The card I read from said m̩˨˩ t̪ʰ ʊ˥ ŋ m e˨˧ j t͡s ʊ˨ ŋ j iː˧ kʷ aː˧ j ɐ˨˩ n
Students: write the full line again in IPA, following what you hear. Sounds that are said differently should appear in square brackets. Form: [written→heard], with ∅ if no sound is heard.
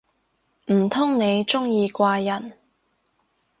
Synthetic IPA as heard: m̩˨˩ t̪ʰ ʊ˥ ŋ [m→n] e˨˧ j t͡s [ʊ˨→ʊ˥] ŋ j iː˧ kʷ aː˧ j ɐ˨˩ n